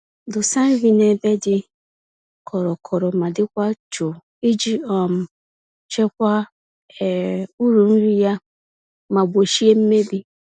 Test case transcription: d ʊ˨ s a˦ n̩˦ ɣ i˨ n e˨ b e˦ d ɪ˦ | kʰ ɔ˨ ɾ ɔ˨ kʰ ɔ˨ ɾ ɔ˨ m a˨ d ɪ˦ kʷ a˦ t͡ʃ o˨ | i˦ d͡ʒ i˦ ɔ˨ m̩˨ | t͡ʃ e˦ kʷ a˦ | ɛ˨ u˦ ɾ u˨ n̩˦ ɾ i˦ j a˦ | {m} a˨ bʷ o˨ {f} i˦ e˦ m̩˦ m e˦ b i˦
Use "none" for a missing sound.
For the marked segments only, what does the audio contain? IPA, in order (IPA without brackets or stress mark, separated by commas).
m, ʃ